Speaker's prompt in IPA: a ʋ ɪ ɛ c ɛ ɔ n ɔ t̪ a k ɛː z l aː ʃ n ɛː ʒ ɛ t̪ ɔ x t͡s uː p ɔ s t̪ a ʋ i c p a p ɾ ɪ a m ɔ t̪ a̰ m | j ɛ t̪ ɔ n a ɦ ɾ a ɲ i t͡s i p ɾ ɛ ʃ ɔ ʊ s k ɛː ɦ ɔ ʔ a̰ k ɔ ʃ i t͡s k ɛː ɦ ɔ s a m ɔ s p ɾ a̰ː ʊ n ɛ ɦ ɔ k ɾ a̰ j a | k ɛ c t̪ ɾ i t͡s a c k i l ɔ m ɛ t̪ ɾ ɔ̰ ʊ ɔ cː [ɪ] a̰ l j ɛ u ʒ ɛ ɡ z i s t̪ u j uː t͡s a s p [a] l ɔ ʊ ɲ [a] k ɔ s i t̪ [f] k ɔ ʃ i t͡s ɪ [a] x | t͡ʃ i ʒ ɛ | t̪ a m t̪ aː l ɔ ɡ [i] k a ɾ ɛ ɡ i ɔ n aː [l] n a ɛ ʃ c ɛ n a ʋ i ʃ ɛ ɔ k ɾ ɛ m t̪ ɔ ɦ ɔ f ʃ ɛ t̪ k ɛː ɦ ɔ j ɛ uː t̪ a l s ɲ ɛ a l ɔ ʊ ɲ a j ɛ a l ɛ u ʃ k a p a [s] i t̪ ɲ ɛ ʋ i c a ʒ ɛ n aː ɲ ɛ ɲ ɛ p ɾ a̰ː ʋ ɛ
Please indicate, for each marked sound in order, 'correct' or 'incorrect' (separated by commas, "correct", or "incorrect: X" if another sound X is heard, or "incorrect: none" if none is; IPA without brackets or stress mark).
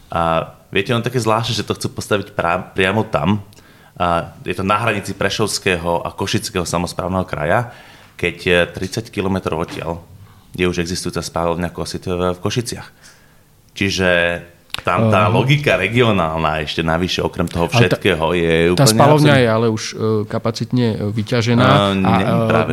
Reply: correct, correct, correct, correct, correct, correct, correct, incorrect: t͡s